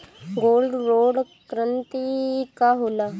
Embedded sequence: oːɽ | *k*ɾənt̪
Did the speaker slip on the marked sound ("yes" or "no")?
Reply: no